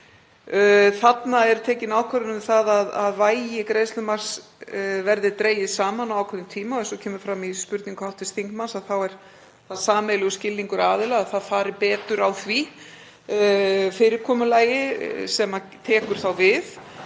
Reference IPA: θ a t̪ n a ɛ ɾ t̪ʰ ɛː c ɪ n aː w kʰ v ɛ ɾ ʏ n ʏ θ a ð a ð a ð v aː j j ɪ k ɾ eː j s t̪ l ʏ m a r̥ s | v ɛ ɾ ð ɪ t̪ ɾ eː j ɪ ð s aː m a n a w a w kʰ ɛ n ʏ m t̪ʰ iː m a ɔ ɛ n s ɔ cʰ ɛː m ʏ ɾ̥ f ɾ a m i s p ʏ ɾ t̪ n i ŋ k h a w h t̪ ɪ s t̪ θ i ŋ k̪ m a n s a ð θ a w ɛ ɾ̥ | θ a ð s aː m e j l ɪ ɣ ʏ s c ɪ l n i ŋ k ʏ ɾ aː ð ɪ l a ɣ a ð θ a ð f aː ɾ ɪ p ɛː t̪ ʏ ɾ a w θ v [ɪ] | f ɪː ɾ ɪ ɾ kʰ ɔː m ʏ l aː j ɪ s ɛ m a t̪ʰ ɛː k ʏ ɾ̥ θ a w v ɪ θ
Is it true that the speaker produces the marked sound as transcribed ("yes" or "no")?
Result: no